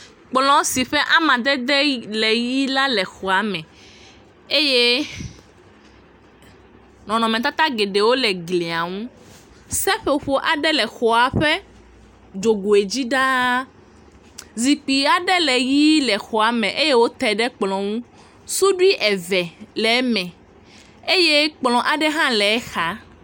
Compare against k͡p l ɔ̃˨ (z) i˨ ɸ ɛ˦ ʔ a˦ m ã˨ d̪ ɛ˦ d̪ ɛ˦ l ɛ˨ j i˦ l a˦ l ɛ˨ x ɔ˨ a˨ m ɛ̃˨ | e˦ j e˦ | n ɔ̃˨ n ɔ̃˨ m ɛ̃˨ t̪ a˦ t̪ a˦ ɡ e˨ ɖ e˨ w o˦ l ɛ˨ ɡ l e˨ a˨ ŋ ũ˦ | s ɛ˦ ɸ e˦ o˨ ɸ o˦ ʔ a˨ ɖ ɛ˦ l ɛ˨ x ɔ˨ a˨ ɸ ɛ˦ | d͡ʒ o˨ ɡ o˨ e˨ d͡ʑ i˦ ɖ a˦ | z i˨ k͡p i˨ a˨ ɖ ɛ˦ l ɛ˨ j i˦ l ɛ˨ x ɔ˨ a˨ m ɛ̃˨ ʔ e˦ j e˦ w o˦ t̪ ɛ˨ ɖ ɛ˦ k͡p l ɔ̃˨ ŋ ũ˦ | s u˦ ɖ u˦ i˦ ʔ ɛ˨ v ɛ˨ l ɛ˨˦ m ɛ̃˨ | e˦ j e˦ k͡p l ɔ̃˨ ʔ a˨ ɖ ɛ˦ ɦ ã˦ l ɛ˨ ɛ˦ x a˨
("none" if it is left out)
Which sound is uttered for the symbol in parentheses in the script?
s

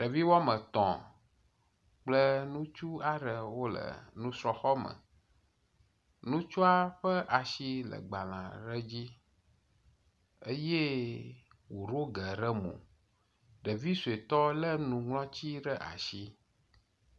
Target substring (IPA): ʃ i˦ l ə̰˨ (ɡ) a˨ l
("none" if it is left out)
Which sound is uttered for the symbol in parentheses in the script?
ɡ͡b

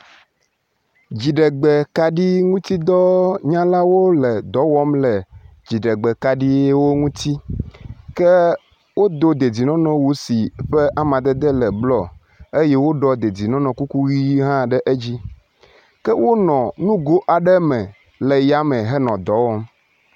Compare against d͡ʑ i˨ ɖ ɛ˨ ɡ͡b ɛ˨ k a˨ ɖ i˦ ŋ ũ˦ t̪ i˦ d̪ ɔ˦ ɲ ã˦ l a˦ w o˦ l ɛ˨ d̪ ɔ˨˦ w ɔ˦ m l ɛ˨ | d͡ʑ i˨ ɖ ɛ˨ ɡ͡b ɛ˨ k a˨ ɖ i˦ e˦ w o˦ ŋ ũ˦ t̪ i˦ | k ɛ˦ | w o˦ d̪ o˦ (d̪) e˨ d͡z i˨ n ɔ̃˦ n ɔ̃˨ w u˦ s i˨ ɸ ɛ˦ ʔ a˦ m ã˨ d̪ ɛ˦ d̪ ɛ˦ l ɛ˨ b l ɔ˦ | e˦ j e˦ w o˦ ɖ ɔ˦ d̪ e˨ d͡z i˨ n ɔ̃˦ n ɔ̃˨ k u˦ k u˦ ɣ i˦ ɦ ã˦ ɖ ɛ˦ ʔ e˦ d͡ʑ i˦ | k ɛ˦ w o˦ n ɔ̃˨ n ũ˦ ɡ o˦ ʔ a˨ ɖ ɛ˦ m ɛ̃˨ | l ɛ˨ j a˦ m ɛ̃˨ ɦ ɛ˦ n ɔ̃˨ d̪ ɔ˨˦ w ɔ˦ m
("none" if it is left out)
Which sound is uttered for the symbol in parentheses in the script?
d̪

